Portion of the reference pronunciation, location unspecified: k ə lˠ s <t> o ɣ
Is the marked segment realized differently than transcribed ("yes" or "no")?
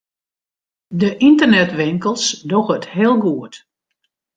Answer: yes